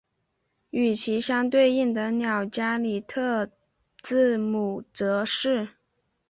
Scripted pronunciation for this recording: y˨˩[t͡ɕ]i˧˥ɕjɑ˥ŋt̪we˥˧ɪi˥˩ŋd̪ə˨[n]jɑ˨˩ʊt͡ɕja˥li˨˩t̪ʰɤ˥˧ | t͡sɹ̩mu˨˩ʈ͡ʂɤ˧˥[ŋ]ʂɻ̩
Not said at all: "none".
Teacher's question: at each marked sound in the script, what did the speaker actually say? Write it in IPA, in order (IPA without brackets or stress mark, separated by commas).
t͡ɕʰ, n, none